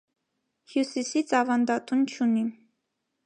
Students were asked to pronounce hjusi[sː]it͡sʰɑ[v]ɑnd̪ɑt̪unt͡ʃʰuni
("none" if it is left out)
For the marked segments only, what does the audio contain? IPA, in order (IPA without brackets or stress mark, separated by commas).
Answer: s, v